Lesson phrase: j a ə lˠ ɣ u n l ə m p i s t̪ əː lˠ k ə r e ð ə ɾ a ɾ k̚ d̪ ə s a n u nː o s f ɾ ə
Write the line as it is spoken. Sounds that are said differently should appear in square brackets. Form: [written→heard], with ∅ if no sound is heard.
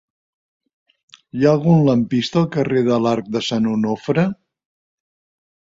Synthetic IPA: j a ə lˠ ɣ u n l ə m p i s t̪ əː lˠ k ə r e ð ə [ɾ→l] a ɾ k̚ d̪ ə s a n u [nː→n] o [s→∅] f ɾ ə